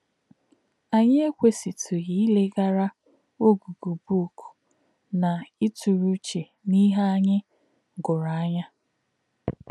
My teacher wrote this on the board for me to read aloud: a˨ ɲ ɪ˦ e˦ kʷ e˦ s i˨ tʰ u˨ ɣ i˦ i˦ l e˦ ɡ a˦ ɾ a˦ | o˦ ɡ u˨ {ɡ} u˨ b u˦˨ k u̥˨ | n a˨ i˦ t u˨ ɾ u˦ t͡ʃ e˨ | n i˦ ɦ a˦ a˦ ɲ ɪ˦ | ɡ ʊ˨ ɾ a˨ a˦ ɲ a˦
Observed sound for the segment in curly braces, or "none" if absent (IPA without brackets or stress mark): ɡ